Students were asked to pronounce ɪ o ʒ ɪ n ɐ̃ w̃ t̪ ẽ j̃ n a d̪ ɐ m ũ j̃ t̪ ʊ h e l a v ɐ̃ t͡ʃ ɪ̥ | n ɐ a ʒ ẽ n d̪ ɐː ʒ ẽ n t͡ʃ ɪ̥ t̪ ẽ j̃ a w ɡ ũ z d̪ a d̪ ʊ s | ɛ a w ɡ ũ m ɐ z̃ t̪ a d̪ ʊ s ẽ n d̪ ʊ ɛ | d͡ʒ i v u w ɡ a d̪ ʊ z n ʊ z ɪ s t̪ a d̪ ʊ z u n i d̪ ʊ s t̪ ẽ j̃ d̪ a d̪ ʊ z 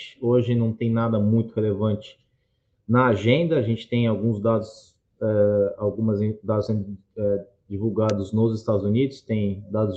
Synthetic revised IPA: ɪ o ʒ ɪ n ɐ̃ w̃ t̪ ẽ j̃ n a d̪ ɐ m ũ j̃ t̪ ʊ h e l e v ɐ̃ t͡ʃ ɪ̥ | n ɐ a ʒ ẽ n d̪ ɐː ʒ ẽ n t͡ʃ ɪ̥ t̪ ẽ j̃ a w ɡ ũ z d̪ a d̪ ʊ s | ɛ a w ɡ ũ m ɐ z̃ d̪ a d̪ ʊ s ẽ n d̪ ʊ ɛ | d͡ʒ i v u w ɡ a d̪ ʊ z n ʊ z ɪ s t̪ a d̪ ʊ z u n i d̪ ʊ s t̪ ẽ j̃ d̪ a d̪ ʊ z